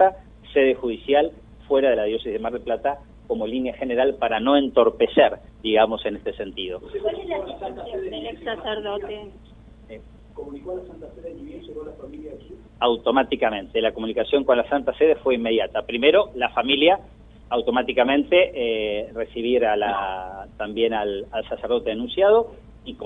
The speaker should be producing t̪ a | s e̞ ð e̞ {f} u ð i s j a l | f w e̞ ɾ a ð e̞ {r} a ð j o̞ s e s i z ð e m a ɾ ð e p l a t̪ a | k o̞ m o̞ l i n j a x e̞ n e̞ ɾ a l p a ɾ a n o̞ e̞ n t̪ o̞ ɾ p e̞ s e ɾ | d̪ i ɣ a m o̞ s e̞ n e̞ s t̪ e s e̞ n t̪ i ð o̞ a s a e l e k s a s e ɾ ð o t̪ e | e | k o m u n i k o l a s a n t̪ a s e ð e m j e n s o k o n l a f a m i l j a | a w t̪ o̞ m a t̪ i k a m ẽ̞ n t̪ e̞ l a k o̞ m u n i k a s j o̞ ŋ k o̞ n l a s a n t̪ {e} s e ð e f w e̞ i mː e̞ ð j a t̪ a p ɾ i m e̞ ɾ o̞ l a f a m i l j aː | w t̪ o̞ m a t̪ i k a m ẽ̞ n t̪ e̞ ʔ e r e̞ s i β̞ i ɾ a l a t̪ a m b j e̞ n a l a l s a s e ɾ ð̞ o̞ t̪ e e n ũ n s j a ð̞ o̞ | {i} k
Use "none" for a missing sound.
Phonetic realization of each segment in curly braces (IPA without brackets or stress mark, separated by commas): x, l, a, i